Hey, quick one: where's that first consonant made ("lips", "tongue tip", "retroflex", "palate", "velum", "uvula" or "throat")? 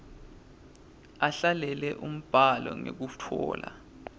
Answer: tongue tip